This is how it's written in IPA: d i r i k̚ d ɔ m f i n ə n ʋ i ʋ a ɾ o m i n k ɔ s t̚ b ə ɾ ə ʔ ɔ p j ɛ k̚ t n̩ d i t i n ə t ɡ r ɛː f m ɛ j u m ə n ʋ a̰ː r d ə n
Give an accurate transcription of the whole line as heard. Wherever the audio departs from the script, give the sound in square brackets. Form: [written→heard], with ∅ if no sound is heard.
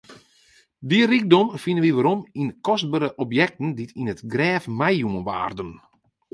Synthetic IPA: d i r i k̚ d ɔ m f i n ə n ʋ i ʋ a ɾ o m i n k ɔ s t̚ b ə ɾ ə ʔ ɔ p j ɛ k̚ t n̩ d i t i n ə t ɡ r ɛː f m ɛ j u m ə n ʋ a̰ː r d ə n